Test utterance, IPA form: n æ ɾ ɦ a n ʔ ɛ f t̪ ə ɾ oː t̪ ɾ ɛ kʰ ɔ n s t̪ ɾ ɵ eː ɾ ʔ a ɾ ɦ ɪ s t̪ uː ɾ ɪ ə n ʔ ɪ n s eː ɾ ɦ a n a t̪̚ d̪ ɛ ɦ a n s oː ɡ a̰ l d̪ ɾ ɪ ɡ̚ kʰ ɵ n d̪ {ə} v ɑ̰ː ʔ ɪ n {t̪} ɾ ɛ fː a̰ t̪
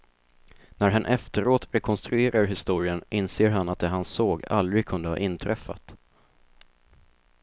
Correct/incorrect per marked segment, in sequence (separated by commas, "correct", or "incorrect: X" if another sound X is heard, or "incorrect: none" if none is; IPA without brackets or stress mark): correct, incorrect: t̪ʰ